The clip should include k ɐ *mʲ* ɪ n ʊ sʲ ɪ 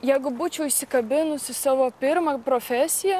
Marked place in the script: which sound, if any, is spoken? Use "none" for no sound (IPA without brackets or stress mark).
bʲ